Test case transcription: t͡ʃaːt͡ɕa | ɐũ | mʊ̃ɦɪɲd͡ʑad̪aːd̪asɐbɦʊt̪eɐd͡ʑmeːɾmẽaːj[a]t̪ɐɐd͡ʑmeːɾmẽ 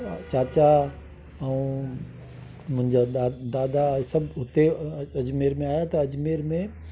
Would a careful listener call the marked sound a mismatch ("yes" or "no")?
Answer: no